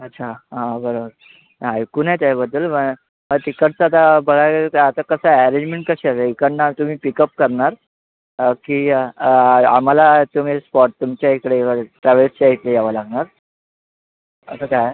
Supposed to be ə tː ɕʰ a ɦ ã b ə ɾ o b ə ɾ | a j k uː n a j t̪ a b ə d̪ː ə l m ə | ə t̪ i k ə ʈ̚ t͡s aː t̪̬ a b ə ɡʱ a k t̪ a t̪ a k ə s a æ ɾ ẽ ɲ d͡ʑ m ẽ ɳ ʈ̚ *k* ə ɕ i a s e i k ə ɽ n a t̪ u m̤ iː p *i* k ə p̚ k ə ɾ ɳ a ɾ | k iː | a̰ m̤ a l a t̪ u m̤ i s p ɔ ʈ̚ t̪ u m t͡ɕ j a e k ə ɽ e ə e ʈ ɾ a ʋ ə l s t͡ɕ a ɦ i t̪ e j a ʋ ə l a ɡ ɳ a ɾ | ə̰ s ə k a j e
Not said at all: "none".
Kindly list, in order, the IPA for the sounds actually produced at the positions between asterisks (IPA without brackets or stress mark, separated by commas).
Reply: k, i